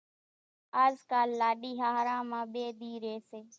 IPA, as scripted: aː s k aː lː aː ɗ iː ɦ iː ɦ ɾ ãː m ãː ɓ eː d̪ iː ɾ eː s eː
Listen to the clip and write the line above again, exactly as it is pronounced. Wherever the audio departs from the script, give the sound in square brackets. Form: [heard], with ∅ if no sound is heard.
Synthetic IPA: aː [z] k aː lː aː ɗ iː ɦ [aː] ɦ ɾ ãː m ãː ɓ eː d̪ iː ɾ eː s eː